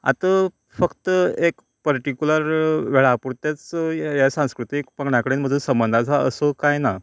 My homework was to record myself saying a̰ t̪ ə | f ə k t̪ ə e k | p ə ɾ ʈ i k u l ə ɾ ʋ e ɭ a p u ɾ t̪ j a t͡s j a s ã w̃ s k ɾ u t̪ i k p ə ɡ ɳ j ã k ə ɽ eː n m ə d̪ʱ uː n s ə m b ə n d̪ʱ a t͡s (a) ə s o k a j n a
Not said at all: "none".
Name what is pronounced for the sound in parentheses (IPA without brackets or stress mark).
a